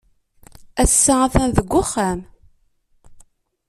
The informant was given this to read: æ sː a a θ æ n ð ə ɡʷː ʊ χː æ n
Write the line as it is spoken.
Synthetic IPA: æ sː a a θ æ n ð ə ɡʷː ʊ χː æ m